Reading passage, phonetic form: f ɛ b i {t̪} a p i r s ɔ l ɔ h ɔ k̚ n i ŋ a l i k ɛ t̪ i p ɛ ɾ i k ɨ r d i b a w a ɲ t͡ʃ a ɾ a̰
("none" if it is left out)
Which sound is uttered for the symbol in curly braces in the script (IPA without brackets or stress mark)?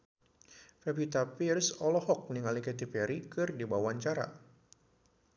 t̪